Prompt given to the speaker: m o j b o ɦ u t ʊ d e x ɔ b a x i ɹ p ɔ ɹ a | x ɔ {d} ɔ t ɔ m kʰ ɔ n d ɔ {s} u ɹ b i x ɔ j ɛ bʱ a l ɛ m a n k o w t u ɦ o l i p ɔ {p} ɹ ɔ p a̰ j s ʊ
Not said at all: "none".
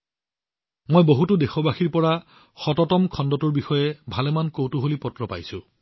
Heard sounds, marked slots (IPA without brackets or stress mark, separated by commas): t, t, t